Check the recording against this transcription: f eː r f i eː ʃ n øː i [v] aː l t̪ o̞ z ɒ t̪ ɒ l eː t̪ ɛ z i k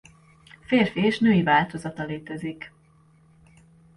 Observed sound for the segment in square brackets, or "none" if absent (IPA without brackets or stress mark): v